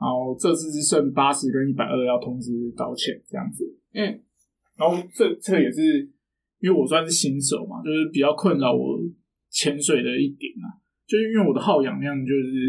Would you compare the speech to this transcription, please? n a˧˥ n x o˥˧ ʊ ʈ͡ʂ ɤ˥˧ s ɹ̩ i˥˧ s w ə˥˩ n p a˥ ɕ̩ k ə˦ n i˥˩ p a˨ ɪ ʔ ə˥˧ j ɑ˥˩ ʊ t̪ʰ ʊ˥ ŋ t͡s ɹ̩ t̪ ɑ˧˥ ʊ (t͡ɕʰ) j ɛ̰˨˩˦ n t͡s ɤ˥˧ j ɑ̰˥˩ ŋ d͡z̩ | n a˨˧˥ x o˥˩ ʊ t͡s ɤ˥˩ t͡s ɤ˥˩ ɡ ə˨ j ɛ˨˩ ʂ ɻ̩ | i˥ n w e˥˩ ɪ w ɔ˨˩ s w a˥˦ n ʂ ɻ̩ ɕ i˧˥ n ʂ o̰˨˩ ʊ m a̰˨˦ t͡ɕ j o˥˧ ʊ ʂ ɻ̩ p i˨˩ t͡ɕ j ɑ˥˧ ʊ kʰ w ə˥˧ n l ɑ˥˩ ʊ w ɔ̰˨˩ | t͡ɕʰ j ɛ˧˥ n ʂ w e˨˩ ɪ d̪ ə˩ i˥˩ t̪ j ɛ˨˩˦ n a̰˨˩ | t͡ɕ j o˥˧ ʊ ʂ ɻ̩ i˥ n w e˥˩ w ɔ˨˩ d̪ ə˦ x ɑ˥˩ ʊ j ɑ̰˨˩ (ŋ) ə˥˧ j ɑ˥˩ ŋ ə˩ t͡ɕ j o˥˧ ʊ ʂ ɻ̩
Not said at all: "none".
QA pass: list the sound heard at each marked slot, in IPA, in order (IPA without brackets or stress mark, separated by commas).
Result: t͡ɕʰ, ŋ